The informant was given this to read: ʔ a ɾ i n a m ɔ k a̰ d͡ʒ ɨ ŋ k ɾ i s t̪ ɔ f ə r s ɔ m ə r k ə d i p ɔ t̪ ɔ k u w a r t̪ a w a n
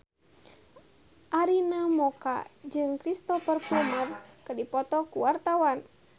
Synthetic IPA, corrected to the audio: ʔ a ɾ i n a m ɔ k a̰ d͡ʒ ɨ ŋ k ɾ i s t̪ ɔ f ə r f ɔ m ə r k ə d i p ɔ t̪ ɔ k u w a r t̪ a w a n